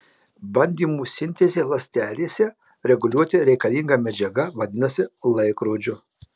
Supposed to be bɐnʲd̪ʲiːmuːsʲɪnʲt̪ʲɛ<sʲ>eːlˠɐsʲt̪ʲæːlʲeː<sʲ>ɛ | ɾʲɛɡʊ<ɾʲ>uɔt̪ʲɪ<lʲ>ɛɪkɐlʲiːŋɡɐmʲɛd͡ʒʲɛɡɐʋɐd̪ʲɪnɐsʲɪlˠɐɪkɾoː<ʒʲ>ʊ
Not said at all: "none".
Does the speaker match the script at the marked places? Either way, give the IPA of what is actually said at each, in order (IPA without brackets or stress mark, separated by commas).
zʲ, sʲ, lʲ, ɾʲ, d͡ʒʲ